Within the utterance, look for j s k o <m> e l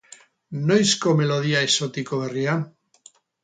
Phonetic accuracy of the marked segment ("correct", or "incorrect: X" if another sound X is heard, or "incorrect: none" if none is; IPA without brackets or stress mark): correct